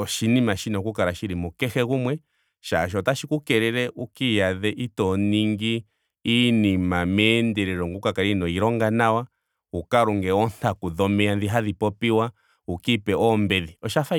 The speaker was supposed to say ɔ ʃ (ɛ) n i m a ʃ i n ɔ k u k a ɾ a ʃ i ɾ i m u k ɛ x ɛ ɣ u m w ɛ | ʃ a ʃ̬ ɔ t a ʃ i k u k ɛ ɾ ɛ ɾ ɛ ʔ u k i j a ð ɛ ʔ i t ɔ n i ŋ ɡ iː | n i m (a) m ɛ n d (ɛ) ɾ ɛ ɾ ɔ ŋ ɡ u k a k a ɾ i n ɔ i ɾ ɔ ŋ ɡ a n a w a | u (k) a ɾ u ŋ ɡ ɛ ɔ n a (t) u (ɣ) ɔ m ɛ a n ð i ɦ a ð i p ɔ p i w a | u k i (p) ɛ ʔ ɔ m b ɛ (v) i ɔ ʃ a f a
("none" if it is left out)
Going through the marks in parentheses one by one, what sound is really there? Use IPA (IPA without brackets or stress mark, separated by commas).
i, a, ɛ, k, k, ð, p, ð